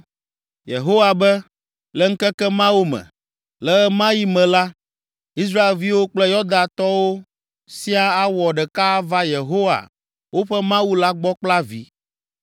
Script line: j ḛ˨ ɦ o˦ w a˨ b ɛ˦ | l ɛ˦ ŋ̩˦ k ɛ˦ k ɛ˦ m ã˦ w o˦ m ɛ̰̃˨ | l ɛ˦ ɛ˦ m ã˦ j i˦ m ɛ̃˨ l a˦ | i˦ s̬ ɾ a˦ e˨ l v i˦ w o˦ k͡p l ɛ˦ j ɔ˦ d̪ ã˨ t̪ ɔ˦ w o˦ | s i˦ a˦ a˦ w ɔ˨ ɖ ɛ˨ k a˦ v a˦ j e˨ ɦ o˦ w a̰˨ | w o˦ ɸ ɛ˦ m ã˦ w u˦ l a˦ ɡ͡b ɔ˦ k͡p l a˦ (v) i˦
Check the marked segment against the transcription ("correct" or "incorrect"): correct